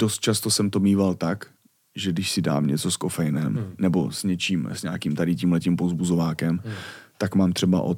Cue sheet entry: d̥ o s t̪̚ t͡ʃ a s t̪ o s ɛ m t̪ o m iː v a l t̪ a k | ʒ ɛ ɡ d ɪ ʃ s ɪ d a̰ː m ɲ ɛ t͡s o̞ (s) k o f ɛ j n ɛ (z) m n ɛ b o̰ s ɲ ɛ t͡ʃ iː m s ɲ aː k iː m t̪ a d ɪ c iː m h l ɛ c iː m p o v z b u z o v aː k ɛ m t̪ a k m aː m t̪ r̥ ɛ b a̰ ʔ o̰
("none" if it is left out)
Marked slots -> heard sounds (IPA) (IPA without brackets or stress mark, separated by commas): s, none